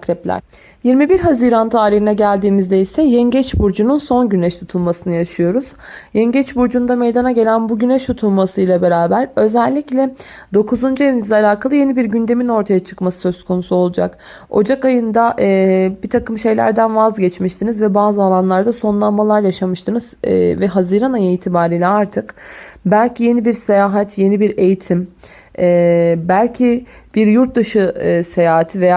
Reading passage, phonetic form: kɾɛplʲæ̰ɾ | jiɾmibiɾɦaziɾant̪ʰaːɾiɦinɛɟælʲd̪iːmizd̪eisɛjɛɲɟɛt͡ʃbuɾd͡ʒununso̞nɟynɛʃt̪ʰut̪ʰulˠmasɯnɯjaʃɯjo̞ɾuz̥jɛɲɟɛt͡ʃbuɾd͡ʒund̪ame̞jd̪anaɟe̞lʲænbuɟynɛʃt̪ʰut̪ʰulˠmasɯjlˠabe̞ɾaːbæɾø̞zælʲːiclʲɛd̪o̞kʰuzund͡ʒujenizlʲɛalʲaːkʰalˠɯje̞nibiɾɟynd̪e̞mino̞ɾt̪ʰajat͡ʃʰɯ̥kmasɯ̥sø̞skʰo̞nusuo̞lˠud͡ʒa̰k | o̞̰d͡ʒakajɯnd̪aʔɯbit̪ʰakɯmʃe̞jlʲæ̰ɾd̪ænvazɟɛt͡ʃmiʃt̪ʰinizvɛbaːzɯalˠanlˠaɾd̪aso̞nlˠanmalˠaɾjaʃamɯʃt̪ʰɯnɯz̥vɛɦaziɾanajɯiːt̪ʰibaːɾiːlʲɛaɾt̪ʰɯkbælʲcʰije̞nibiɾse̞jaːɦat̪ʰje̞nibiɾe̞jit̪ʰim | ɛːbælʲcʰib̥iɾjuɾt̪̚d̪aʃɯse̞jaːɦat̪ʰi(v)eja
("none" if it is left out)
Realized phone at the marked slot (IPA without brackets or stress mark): v